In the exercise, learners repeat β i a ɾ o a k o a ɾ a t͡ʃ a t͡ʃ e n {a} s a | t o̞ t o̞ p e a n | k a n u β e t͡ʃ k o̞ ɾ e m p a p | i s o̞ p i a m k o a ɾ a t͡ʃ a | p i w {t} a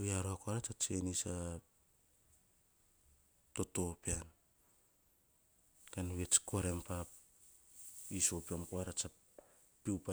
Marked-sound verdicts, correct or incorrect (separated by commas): incorrect, incorrect